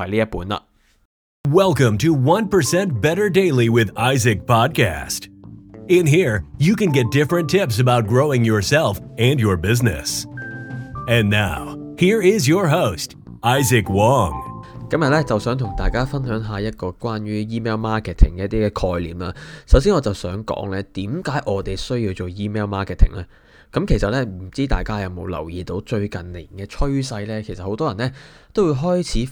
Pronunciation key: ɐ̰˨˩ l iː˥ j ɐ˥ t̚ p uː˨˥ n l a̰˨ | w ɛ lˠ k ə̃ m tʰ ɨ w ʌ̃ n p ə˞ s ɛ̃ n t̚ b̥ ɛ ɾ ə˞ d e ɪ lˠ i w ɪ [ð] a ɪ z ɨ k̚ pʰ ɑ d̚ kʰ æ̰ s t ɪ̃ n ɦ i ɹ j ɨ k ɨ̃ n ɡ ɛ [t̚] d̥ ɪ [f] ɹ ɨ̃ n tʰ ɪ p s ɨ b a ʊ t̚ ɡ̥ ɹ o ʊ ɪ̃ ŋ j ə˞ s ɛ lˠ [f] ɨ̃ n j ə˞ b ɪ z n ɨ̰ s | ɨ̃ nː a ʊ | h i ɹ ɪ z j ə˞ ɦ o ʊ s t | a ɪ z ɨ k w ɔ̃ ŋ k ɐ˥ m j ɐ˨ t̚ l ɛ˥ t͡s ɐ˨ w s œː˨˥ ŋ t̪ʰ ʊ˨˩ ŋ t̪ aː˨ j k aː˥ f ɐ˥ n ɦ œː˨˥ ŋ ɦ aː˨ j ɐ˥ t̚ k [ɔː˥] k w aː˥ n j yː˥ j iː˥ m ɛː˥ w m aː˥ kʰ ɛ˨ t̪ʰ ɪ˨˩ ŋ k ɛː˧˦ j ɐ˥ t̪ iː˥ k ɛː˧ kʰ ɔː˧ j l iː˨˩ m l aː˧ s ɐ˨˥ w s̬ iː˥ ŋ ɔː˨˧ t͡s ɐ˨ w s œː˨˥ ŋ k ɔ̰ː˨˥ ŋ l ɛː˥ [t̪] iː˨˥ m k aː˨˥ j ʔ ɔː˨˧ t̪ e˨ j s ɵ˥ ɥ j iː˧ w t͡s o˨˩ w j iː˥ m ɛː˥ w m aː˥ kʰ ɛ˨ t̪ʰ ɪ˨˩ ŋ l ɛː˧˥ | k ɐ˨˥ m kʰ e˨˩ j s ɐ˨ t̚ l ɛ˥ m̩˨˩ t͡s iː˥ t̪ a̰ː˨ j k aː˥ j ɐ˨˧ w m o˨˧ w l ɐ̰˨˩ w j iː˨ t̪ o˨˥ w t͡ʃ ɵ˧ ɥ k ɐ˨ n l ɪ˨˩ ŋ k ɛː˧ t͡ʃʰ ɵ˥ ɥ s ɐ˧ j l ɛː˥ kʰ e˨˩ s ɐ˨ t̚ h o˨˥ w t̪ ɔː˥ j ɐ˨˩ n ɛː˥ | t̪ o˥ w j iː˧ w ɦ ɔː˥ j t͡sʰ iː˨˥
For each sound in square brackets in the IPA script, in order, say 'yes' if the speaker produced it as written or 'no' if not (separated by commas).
yes, yes, yes, yes, no, yes